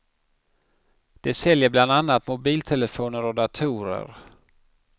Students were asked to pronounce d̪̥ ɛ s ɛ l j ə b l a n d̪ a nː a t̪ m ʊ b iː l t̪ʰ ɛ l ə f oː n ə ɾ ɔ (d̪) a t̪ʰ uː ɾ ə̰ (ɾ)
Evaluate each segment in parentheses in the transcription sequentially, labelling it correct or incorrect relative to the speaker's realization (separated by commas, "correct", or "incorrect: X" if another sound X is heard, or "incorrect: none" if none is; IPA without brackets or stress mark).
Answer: correct, correct